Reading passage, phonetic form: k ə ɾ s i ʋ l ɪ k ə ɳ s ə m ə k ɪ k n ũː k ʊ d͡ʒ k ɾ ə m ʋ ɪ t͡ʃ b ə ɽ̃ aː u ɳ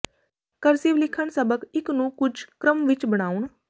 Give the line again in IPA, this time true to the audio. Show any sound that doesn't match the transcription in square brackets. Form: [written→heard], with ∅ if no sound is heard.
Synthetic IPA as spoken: k ə ɾ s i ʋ l ɪ [k→kʰ] ə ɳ s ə [m→b] ə k ɪ k n ũː k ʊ d͡ʒ k ɾ ə m ʋ ɪ t͡ʃ b ə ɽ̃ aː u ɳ